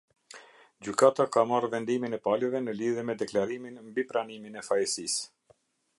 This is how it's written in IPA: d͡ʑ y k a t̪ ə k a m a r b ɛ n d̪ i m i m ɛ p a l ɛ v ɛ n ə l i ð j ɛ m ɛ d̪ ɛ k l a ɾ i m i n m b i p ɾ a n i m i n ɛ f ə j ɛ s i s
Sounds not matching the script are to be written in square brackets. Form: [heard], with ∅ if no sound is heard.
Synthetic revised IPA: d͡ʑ y k a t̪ [a] k a m a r [v] ɛ n d̪ i m i [n] ɛ p a l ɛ v ɛ n ə l i ð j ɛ m ɛ d̪ ɛ k l a ɾ i m i n m b i p ɾ a n i m i n ɛ f [a] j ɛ s i s